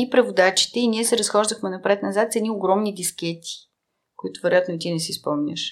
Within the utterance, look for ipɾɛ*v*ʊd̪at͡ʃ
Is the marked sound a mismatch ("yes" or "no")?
no